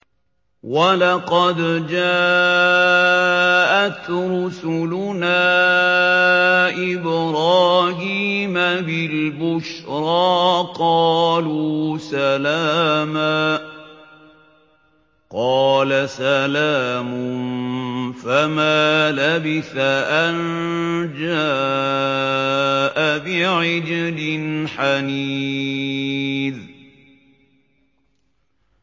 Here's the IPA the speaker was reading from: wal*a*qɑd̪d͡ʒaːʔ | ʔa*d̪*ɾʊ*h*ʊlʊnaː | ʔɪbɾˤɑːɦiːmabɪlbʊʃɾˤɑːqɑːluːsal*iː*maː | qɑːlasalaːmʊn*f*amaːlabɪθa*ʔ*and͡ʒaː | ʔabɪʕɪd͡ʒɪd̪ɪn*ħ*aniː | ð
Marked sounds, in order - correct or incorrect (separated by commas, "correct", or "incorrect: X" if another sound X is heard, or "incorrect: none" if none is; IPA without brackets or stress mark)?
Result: incorrect: ɑ, incorrect: t̪, incorrect: s, incorrect: aː, correct, correct, correct